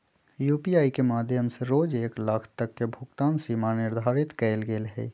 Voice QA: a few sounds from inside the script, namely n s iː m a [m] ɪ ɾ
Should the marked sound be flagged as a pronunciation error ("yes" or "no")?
yes